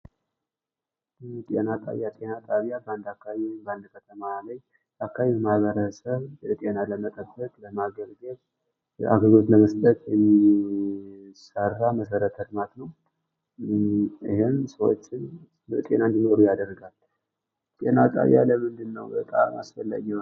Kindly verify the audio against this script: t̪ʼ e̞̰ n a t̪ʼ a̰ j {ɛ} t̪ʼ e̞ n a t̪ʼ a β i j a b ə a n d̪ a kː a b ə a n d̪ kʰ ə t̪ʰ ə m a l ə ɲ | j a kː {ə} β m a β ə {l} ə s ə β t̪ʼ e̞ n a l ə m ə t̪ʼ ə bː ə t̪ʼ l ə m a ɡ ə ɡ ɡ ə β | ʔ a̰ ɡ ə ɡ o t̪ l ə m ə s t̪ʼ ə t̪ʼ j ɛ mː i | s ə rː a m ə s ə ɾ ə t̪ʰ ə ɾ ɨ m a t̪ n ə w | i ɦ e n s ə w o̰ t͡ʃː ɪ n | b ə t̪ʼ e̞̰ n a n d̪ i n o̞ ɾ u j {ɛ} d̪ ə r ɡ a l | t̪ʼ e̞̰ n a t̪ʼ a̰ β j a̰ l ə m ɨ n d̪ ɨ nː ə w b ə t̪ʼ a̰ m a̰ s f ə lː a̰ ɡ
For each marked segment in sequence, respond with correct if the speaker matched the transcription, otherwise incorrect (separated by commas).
incorrect, incorrect, incorrect, incorrect